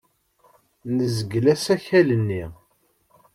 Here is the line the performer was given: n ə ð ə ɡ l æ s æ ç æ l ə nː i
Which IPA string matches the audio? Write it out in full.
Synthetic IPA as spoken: n ə z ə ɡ l æ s æ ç æ l ə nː i